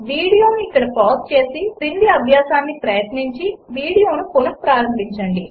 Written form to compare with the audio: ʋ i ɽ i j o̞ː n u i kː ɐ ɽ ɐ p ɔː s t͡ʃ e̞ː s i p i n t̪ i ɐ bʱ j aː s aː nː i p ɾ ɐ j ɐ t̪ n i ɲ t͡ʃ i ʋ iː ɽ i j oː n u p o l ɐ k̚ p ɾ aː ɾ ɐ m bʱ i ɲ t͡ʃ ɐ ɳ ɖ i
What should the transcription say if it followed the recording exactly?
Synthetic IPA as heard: ʋ iː ɽ i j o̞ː n u i kː ɐ ɽ ɐ p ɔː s t͡ʃ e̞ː s i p i n d̪ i ɐ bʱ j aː s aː nː i p ɾ ɐ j ɐ t̪ n i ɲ t͡ʃ i ʋ iː ɽ i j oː n u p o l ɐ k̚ p ɾ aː ɾ ɐ m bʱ i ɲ t͡ʃ ɐ ɳ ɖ i